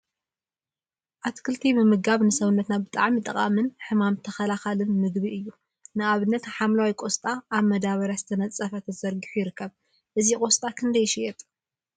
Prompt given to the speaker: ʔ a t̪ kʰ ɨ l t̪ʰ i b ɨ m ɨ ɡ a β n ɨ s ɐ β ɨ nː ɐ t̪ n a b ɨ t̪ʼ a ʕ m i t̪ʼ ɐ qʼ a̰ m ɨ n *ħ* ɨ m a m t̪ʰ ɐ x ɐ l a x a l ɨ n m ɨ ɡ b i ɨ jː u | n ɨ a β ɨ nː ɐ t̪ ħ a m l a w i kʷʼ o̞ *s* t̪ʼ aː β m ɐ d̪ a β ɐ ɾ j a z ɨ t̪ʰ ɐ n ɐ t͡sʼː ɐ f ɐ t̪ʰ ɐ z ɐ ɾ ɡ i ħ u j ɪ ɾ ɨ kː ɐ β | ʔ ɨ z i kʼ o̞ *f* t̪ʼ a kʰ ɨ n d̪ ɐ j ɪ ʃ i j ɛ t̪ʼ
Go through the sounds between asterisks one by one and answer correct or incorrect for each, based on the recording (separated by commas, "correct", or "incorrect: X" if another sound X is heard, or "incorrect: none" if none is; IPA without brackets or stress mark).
correct, correct, incorrect: s